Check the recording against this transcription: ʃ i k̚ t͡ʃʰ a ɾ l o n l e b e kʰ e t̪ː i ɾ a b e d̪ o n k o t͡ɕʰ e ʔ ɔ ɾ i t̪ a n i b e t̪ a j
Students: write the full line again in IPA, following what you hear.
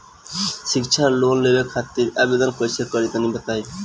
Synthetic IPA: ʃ i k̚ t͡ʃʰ a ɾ l o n l e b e kʰ a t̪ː i ɾ a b e d̪ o n k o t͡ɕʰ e k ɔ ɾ i t̪ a n i b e t̪ a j

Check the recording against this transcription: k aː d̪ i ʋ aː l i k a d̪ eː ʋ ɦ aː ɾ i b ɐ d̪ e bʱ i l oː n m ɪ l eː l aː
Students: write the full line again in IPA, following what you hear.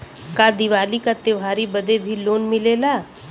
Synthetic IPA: k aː d̪ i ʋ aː l i k a t̪ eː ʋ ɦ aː ɾ i b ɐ d̪ e bʱ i l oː n m ɪ l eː l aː

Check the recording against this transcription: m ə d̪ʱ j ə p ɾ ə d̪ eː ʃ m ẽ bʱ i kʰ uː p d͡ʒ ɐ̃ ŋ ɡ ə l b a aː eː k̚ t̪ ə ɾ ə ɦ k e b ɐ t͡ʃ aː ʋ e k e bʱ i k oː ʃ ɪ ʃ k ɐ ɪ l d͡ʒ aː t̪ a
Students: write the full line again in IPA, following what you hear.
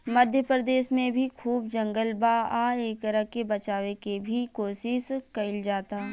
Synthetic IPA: m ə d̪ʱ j ə p ɾ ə d̪ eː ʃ m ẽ bʱ i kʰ uː b d͡ʒ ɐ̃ ŋ ɡ ə l b a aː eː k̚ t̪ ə ɾ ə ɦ k e b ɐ t͡ʃ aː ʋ e k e bʱ i k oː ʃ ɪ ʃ k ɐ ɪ l d͡ʒ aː t̪ a

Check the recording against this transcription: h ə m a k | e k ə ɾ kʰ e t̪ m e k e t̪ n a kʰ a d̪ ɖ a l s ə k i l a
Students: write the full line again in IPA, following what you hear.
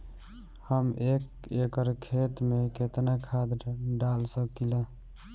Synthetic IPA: h ə m e k | e k ə ɾ kʰ e t̪ m e k e t̪ n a kʰ a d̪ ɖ a l s ə k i l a

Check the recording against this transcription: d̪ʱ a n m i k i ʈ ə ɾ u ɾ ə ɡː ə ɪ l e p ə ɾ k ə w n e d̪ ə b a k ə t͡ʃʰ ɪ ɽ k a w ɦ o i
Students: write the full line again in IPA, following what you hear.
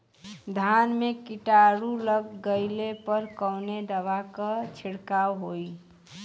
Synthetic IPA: d̪ʱ a n m e k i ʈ a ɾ u l ə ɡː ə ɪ l e p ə ɾ k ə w n e d̪ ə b a k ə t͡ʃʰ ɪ ɽ k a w ɦ o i

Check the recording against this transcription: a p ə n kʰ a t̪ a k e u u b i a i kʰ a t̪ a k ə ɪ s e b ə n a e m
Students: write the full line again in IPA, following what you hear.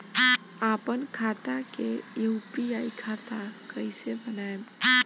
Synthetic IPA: a p ə n kʰ a t̪ a k e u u p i a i kʰ a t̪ a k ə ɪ s e b ə n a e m

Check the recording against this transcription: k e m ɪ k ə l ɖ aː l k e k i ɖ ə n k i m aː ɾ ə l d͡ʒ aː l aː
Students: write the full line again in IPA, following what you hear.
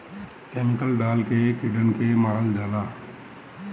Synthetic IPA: k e m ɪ k ə l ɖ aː l k e k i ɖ ə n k e m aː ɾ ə l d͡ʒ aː l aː

